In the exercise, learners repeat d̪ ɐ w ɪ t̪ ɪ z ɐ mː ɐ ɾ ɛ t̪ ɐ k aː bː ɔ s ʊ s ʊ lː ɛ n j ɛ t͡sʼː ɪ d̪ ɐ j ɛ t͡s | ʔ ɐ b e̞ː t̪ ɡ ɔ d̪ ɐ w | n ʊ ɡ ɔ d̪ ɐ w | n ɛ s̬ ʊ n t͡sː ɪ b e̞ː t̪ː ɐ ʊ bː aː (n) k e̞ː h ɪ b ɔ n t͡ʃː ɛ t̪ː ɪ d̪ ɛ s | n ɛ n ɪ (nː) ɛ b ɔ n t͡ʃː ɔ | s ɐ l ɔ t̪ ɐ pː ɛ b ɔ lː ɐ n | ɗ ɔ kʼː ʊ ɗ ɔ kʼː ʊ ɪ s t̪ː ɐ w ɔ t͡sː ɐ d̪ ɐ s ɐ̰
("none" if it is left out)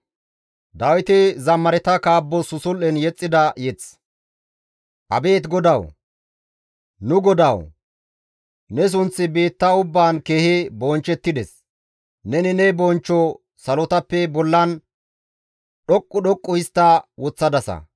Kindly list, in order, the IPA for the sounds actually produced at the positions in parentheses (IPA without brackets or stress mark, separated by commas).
n, n